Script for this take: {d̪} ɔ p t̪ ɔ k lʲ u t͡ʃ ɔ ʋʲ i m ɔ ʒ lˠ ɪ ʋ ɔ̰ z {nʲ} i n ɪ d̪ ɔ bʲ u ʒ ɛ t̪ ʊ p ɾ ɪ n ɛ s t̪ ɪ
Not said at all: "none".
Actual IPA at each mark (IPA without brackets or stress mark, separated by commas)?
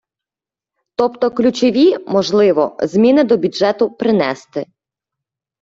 t̪, mʲ